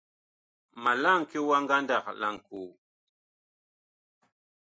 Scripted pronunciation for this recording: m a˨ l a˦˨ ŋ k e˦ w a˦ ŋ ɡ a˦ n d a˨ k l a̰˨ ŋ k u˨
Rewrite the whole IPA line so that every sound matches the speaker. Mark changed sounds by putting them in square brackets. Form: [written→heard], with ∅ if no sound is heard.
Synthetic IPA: m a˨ l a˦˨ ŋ k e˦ w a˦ ŋ ɡ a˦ n d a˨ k l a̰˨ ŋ k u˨

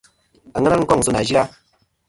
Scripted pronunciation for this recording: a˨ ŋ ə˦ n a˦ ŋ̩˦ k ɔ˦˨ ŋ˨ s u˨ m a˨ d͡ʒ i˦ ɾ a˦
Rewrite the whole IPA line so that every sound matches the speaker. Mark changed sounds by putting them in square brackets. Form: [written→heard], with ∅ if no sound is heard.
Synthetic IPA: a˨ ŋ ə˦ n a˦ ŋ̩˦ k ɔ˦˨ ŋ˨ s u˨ [m→n] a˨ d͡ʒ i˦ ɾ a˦

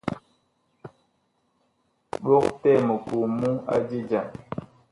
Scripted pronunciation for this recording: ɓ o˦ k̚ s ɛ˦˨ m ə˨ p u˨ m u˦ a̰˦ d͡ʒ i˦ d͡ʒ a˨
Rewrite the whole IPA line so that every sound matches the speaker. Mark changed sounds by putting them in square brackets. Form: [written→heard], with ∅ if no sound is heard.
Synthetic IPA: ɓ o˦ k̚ [s→t] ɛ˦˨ m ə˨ [p→k] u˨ m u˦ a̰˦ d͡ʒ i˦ d͡ʒ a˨

